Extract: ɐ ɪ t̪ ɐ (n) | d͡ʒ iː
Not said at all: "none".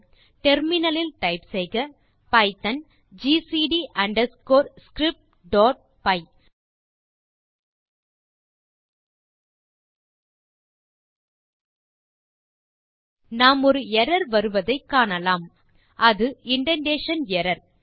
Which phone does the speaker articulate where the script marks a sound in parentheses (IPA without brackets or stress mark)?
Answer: n